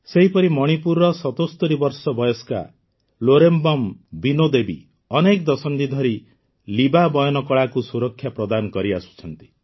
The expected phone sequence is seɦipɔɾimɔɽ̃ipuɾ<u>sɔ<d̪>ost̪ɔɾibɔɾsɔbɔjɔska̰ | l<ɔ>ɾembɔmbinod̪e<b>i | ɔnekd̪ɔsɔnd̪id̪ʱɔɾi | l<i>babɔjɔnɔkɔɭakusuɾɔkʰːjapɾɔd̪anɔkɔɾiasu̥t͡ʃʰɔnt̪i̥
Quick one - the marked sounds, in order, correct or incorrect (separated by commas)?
incorrect, incorrect, incorrect, correct, correct